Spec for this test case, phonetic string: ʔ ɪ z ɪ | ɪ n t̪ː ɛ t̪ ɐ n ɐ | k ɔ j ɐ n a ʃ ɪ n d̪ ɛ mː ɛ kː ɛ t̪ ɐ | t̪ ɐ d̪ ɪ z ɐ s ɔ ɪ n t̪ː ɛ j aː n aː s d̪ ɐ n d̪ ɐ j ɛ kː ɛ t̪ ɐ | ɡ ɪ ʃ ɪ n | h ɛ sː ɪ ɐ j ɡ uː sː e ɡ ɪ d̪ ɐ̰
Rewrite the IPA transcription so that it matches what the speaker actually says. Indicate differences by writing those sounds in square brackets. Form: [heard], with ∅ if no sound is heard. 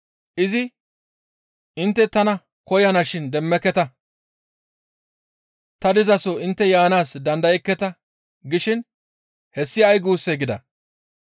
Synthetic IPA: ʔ ɪ z ɪ | ɪ n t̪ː ɛ t̪ ɐ n ɐ | k ɔ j ɐ n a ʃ ɪ n d̪ ɛ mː ɛ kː ɛ t̪ ɐ | t̪ ɐ d̪ ɪ z ɐ s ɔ ɪ n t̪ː ɛ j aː n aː s d̪ ɐ n d̪ ɐ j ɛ kː ɛ t̪ ɐ | ɡ ɪ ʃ ɪ n | h ɛ sː ɪ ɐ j ɡ uː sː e ɡ ɪ d̪ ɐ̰